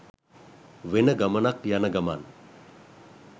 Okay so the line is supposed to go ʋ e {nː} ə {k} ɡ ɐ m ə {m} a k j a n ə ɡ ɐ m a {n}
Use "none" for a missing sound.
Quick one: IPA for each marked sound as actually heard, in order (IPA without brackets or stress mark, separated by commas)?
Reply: n, none, n, n